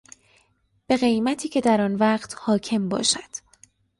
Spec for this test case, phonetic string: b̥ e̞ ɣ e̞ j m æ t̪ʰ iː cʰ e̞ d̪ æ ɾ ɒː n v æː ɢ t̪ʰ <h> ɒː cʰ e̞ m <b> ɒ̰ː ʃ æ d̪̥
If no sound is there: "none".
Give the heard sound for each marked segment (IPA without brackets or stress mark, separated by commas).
h, b